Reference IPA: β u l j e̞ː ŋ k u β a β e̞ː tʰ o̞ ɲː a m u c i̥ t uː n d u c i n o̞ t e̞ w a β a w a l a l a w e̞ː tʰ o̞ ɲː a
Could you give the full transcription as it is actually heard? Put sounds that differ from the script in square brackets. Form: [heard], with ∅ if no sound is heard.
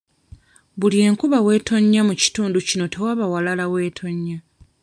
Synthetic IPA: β u l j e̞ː ŋ k u β a [w] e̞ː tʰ o̞ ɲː a m u c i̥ t uː n d u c i n o̞ t e̞ w a β a w a l a l a w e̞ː tʰ o̞ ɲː a